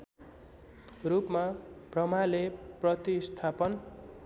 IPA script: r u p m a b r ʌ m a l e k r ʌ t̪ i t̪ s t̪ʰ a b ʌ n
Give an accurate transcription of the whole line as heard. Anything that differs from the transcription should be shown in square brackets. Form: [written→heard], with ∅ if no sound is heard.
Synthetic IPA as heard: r u p m a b r ʌ m a l e [k→p] r ʌ t̪ i [t̪→∅] s t̪ʰ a [b→p] ʌ n